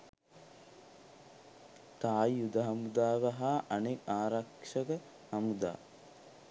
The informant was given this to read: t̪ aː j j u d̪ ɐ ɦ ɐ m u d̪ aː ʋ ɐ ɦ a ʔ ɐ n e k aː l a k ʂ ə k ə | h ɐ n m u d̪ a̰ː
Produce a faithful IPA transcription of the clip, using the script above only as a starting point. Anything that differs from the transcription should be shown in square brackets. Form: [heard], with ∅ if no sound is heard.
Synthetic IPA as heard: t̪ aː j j u d̪ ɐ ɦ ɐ m u d̪ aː ʋ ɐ ɦ a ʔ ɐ n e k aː [ɾ] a k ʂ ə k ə | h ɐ [∅] m u d̪ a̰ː